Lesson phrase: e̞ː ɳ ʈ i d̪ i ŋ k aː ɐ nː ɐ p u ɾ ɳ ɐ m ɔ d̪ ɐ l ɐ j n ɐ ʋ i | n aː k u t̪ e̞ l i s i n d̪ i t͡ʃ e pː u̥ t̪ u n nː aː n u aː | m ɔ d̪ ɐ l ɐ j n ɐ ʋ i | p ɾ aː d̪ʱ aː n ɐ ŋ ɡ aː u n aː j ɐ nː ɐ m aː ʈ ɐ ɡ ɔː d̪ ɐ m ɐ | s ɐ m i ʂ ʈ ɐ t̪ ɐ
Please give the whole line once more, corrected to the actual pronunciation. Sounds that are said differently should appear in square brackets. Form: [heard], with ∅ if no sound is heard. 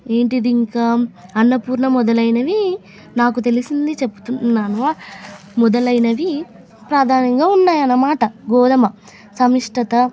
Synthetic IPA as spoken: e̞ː ɳ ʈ i d̪ i ŋ k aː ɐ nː ɐ p [uː] ɾ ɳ ɐ m ɔ d̪ ɐ l ɐ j n ɐ ʋ i | n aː k u t̪ e̞ l i s i n d̪ i t͡ʃ e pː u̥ t̪ u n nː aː n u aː | m ɔ d̪ ɐ l ɐ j n ɐ ʋ i | p ɾ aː d̪ʱ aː n ɐ ŋ ɡ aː u [nː] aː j ɐ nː ɐ m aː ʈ ɐ ɡ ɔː d̪ ɐ m ɐ | s ɐ m i ʂ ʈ ɐ t̪ ɐ

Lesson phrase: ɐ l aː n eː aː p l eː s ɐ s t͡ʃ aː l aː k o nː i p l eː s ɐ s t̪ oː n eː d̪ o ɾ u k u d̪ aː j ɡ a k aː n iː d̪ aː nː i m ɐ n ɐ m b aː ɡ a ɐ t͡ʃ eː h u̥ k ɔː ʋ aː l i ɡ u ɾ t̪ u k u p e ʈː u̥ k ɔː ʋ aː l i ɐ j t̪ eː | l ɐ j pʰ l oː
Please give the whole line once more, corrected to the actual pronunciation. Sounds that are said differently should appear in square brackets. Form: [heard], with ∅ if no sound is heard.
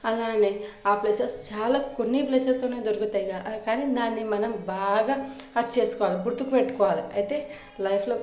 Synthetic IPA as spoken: ɐ l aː n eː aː p l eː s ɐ s t͡ʃ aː l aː k o nː i p l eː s ɐ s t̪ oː n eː d̪ o ɾ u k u [t̪] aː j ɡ a k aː n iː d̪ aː nː i m ɐ n ɐ m b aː ɡ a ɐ t͡ʃ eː [s] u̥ k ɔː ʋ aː l i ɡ u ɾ t̪ u k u p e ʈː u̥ k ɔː ʋ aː l i ɐ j t̪ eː | l ɐ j pʰ l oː

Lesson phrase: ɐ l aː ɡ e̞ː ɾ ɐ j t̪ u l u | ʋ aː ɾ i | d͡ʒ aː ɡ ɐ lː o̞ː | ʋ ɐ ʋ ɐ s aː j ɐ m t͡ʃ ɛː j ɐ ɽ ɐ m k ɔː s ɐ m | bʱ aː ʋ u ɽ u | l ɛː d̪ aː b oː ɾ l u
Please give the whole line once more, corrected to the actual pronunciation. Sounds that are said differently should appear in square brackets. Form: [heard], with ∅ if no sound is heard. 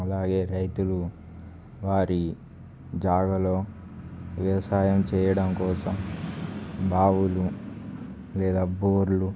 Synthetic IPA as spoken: ɐ l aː ɡ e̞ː ɾ ɐ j t̪ u l u | ʋ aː ɾ i | d͡ʒ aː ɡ ɐ [l] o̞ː | ʋ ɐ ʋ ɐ s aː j ɐ m t͡ʃ ɛː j ɐ ɽ ɐ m k ɔː s ɐ m | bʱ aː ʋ u [l] u | l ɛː d̪ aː b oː ɾ l u

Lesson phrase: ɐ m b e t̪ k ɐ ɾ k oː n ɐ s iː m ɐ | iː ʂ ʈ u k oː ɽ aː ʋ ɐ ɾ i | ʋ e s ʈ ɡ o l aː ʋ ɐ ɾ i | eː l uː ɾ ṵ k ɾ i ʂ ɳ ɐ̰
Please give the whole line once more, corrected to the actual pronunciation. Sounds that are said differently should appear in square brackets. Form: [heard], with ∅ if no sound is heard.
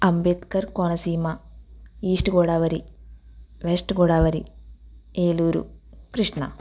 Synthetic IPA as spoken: ɐ m b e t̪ k ɐ ɾ k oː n ɐ s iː m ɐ | iː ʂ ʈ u [ɡ] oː ɽ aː ʋ ɐ ɾ i | ʋ e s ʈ ɡ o [ɽ] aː ʋ ɐ ɾ i | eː l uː ɾ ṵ k ɾ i ʂ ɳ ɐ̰

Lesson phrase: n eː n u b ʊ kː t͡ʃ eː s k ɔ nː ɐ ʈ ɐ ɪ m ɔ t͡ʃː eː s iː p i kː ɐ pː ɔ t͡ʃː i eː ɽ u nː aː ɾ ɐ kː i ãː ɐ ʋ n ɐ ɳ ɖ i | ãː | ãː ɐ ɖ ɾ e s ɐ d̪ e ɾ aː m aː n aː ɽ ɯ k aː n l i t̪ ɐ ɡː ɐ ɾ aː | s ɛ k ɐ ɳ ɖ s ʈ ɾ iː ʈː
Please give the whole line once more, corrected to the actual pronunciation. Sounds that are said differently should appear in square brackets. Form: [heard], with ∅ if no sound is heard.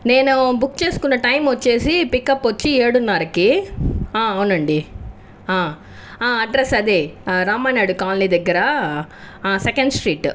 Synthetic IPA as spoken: n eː n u b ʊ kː t͡ʃ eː s k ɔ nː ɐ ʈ ɐ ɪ m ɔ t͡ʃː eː s [i] p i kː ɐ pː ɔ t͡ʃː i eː ɽ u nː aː ɾ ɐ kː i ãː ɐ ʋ n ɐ ɳ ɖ i | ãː | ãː ɐ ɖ ɾ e s ɐ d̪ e ɾ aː m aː n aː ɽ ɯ k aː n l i [d̪] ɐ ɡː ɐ ɾ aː | s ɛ k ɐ ɳ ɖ s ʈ ɾ iː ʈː

